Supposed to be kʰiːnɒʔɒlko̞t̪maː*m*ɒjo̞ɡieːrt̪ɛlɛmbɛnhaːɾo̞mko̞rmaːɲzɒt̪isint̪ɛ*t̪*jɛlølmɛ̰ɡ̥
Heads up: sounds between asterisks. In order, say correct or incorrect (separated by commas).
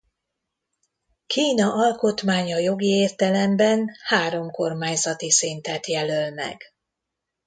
incorrect, correct